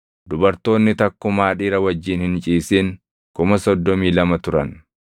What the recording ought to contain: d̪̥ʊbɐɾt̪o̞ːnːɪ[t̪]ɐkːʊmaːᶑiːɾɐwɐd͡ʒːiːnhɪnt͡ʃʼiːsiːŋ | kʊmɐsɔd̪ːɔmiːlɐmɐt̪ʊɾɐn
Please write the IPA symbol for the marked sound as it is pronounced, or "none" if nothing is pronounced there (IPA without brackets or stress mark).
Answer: t̪